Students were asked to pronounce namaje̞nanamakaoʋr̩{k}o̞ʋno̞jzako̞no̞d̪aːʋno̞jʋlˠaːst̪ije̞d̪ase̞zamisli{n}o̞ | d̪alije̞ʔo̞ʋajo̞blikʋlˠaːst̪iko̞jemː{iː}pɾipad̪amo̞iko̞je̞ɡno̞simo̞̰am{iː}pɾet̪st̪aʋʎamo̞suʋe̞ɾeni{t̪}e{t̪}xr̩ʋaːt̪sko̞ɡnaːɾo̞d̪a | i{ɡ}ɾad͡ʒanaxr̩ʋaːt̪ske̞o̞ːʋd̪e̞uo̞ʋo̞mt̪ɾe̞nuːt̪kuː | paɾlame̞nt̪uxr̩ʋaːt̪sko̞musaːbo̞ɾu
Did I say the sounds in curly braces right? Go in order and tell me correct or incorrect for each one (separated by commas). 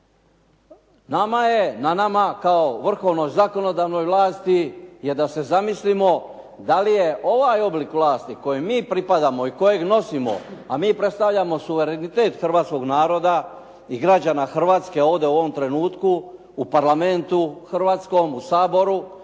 incorrect, incorrect, correct, correct, correct, correct, correct